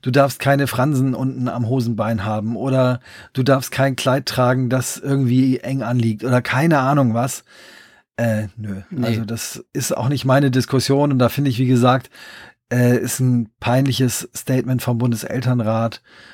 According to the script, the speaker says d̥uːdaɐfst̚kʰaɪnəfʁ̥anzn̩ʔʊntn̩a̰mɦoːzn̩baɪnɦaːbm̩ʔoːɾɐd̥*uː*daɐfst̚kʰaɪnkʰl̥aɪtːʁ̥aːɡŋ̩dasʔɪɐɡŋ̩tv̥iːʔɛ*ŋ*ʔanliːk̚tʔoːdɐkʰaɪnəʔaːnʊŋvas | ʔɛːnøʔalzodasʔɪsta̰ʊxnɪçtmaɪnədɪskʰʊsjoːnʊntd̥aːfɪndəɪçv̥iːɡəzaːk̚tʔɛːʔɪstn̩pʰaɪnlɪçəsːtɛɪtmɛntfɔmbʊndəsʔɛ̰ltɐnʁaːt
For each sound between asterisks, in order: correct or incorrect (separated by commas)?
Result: correct, correct